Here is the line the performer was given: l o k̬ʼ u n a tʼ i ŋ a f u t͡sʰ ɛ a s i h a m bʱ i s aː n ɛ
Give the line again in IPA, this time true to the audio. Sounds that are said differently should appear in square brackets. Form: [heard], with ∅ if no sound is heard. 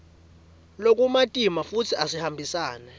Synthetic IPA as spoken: l o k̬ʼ u [m] a tʼ i [m] a f u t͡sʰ [i] a s i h a m bʱ i s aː n ɛ